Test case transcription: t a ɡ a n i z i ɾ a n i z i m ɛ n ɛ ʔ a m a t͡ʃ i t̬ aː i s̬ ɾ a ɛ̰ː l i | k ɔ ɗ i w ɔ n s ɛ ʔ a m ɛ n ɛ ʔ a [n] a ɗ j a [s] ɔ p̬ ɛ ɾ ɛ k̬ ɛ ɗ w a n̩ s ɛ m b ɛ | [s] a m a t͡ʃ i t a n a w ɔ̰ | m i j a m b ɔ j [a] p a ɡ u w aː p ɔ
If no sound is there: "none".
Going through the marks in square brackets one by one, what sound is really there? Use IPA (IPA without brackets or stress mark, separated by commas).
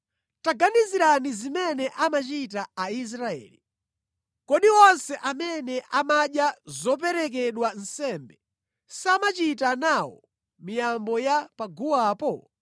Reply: m, z, s, a